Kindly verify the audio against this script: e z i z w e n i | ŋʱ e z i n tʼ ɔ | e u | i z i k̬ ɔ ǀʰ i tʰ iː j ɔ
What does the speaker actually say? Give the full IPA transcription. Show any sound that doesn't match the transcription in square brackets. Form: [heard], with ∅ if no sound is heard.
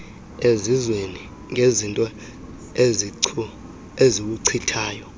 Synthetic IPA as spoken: e z i z w e n i | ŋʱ e z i n tʼ ɔ | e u | [e] z i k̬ [u] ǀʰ i tʰ [aː] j ɔ